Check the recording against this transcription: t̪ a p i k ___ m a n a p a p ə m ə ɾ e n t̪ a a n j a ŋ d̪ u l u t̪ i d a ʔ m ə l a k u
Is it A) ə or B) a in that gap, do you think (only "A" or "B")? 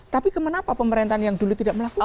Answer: A